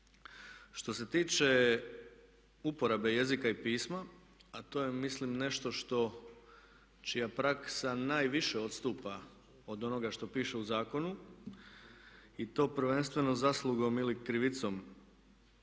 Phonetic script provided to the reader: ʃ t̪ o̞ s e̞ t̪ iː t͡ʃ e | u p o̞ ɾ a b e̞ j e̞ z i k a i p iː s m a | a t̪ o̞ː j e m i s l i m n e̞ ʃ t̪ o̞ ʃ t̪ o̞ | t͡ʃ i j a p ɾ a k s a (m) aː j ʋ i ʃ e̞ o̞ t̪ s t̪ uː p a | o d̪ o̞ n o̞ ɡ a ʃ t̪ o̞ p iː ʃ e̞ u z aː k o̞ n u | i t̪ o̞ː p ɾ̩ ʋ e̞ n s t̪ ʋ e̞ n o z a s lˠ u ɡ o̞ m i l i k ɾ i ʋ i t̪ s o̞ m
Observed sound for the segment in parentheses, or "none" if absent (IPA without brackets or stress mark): n